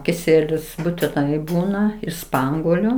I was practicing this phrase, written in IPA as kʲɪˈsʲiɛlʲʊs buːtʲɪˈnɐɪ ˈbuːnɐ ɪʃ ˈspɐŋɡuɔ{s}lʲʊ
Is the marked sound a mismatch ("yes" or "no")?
yes